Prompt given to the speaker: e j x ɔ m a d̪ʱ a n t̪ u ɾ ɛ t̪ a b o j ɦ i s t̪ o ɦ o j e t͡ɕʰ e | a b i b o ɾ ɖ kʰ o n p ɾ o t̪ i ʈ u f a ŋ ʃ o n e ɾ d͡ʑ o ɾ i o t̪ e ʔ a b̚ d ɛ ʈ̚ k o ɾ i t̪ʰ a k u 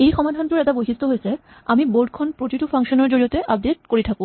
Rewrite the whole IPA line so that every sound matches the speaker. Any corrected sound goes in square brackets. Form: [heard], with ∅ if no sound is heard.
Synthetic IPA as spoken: e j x ɔ m a d̪ʱ a n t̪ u ɾ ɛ t̪ a b o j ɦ i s t̪ o ɦ o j e t͡ɕʰ e | a [m] i b o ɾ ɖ kʰ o n p ɾ o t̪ i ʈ u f a ŋ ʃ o n e ɾ d͡ʑ o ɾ i o t̪ e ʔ a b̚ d [e] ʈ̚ k o ɾ i t̪ʰ a k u